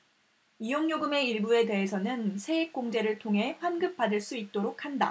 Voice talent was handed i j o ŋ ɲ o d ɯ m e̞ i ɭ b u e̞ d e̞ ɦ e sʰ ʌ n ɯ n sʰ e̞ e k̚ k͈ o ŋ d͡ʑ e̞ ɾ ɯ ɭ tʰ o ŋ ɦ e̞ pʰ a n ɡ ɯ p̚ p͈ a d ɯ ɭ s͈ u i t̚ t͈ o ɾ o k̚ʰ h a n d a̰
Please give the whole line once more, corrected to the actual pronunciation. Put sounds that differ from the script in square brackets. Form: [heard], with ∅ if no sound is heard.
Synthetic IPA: i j o ŋ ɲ o [ɡ] ɯ m e̞ i ɭ b u e̞ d e̞ ɦ e sʰ ʌ n ɯ n sʰ e̞ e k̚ k͈ o ŋ d͡ʑ e̞ ɾ ɯ ɭ tʰ o ŋ ɦ e̞ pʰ a n ɡ ɯ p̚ p͈ a d ɯ ɭ s͈ u i t̚ t͈ o ɾ o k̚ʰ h a n d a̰